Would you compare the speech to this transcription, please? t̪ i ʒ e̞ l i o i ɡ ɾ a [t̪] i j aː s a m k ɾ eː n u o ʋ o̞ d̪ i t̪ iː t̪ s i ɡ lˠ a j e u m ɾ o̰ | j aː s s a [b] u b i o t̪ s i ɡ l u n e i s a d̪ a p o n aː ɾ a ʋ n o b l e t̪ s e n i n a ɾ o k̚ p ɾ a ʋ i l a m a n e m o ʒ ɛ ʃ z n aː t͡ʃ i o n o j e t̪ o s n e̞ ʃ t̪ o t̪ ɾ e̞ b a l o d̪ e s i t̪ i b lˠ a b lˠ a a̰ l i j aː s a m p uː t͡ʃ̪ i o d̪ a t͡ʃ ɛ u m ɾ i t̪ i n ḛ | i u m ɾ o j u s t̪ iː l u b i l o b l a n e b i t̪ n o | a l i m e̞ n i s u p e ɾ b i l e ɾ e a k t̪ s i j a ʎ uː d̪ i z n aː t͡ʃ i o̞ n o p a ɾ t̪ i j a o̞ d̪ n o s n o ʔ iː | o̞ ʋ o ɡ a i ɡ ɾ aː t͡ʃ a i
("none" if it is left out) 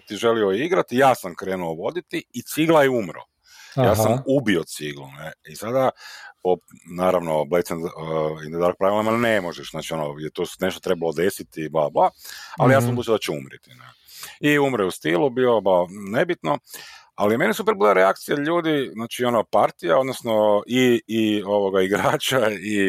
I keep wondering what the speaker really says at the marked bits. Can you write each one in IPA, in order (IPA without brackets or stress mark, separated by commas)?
t̪, m